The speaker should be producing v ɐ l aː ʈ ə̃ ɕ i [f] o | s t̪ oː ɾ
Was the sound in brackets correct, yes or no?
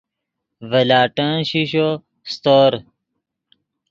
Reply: no